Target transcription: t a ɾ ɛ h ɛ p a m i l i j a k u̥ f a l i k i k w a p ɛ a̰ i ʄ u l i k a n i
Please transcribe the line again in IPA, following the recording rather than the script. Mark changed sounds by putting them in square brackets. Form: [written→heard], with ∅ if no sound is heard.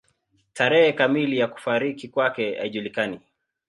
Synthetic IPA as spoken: t a ɾ ɛ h ɛ [p→k] a m i l i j a k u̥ f a [l→ɾ] i k i k w a [p→k] ɛ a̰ i ʄ u l i k a n i